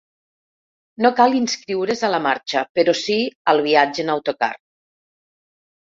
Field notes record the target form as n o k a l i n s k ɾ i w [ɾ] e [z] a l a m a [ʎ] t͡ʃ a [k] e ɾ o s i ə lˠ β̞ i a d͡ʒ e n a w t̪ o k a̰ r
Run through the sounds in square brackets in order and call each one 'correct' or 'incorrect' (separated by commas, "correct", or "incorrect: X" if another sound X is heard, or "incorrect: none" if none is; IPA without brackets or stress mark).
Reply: correct, correct, incorrect: ɾ, incorrect: p